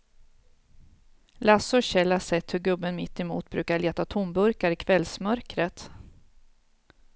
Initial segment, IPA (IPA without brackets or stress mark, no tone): l